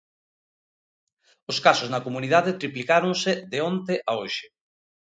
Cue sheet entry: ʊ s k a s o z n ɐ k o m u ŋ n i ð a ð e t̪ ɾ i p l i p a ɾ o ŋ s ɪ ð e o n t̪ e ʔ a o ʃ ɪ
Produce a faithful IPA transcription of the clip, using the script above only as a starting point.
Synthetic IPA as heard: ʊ s k a s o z n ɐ k o m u n i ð a ð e t̪ ɾ i p l i k a ɾ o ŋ s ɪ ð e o n t̪ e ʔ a o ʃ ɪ